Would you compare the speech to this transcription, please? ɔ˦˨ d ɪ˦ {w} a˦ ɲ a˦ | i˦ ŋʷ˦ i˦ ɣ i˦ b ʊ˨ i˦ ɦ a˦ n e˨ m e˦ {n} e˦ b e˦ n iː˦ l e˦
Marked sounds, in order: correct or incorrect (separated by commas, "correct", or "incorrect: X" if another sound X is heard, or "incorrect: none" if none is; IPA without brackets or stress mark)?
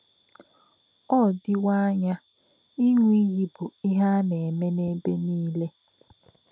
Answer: correct, correct